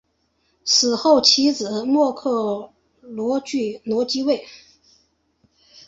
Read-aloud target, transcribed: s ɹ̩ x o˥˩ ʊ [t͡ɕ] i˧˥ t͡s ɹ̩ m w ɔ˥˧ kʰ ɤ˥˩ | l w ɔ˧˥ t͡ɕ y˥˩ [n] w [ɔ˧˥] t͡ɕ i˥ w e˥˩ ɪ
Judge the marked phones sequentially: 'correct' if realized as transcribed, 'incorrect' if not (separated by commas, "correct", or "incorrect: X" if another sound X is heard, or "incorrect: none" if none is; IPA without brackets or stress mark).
incorrect: t͡ɕʰ, correct, correct